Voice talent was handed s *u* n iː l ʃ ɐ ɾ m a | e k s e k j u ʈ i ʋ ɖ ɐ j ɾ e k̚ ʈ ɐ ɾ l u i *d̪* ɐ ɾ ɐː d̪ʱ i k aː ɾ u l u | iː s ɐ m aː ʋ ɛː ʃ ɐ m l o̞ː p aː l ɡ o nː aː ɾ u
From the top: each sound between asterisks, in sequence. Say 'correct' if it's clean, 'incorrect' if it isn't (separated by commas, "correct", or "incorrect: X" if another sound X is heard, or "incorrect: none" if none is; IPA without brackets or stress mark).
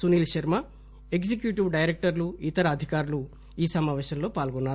correct, incorrect: t̪